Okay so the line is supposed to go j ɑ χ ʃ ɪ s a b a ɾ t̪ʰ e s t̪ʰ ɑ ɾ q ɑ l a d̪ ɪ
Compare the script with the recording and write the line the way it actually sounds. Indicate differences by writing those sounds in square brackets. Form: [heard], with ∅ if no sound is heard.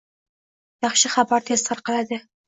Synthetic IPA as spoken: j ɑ χ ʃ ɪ [χ] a b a ɾ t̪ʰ e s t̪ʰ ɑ ɾ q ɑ l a d̪ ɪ